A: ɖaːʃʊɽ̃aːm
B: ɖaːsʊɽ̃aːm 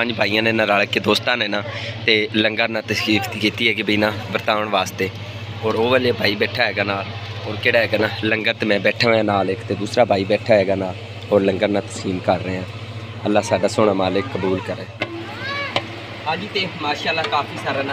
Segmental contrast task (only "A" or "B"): B